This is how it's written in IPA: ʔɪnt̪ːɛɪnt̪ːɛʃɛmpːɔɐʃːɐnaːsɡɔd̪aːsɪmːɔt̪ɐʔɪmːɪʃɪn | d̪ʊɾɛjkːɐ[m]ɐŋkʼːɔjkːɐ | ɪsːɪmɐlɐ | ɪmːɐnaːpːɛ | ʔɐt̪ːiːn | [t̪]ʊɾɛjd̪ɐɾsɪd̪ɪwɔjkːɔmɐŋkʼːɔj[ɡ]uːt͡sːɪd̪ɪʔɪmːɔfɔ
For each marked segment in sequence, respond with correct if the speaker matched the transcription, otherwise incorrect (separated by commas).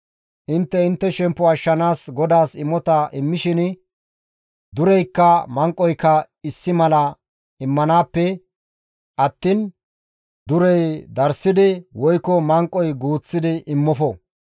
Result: correct, incorrect, correct